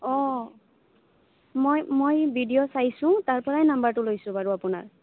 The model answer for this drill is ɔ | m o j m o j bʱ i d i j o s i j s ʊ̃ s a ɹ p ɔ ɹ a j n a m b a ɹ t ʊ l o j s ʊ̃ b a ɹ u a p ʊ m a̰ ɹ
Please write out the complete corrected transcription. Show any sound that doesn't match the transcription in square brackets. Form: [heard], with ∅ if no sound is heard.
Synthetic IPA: ɔ | m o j m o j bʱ i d i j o s [a] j s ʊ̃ [t] a ɹ p ɔ ɹ a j n a m b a ɹ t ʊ l o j s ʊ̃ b a ɹ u a p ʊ [n] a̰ ɹ